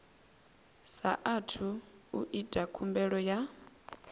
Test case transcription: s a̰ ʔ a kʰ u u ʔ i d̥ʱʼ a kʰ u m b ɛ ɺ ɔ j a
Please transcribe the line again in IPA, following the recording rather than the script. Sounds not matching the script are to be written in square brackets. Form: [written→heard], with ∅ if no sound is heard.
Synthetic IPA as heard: s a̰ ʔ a [kʰ→tʰ] u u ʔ i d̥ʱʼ a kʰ u m b ɛ ɺ ɔ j a

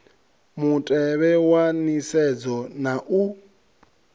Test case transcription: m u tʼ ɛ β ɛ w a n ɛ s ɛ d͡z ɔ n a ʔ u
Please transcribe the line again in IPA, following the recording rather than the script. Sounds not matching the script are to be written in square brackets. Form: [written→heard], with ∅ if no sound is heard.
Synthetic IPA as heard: m u tʼ ɛ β ɛ w a n [ɛ→i] s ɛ d͡z ɔ n a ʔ u

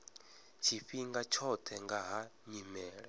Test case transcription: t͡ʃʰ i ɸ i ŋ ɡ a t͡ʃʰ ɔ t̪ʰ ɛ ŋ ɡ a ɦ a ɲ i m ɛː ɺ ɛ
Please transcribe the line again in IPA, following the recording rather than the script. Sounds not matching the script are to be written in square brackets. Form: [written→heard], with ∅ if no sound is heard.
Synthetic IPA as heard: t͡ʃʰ i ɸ i ŋ ɡ a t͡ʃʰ ɔ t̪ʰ ɛ ŋ ɡ a ɦ a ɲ i m ɛː ɺ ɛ

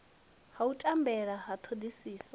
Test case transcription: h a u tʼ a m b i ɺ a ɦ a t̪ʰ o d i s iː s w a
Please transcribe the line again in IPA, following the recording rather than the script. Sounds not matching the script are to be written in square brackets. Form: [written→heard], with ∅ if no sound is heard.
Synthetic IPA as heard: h a u tʼ a m b [i→ɛ] ɺ a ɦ a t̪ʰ o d i s iː s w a

